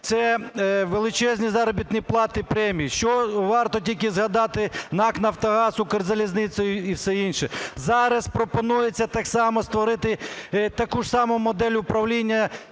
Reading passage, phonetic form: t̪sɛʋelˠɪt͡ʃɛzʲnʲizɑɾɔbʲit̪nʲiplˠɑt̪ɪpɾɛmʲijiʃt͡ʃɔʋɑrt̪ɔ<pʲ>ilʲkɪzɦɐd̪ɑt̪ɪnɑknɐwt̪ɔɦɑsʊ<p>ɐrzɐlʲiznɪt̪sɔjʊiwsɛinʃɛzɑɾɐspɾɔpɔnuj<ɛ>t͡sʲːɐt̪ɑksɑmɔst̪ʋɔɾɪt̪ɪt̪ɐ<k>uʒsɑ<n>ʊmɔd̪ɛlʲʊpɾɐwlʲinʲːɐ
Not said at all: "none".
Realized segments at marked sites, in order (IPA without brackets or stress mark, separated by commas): tʲ, k, e, k, m